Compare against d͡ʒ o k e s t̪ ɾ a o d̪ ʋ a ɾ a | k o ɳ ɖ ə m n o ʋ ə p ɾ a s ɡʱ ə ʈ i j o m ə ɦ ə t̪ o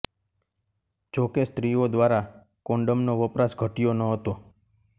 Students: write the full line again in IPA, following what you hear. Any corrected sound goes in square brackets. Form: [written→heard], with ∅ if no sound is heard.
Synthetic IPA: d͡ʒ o k e s t̪ ɾ [a→i] o d̪ ʋ a ɾ a | k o ɳ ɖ ə m n o ʋ ə p ɾ a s ɡʱ ə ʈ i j o [m→n] ə ɦ ə t̪ o